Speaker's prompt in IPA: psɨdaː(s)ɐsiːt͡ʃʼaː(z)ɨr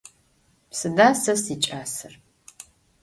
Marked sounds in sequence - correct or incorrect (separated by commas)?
correct, incorrect